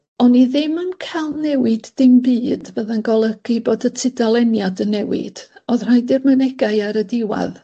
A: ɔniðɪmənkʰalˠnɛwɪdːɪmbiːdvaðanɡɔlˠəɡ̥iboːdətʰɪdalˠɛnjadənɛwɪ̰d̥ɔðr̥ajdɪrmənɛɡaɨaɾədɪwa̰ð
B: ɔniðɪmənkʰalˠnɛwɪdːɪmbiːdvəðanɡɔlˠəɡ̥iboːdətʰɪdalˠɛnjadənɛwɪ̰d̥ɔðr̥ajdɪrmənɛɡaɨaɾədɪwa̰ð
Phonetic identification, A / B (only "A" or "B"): B